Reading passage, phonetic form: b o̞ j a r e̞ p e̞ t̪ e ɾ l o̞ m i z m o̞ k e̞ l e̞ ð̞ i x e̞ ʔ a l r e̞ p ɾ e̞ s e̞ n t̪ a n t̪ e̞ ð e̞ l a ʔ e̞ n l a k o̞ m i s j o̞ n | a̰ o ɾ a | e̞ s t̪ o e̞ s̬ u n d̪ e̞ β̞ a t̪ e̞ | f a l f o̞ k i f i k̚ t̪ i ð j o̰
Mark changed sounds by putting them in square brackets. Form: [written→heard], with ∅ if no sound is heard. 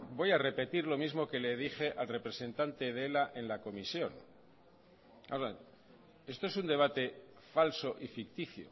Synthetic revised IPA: b o̞ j a r e̞ p e̞ t̪ [e→i] ɾ l o̞ m i z m o̞ k e̞ l e̞ ð̞ i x e̞ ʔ a l r e̞ p ɾ e̞ s e̞ n t̪ a n t̪ e̞ ð e̞ l a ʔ e̞ n l a k o̞ m i s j o̞ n | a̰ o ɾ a | e̞ s t̪ o e̞ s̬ u n d̪ e̞ β̞ a t̪ e̞ | f a l [f→s] o̞ [k→ʔ] i f i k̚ t̪ i [ð→θ] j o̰